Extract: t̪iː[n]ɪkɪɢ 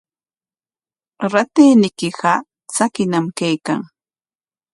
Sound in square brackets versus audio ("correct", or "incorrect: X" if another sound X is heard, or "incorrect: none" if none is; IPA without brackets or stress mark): correct